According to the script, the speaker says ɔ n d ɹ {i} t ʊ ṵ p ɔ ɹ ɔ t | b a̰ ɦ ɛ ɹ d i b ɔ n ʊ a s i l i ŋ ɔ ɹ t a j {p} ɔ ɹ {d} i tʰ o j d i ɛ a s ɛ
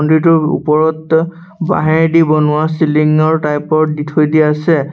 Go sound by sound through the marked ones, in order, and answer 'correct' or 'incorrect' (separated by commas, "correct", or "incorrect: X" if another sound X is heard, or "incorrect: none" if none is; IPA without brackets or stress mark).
correct, correct, correct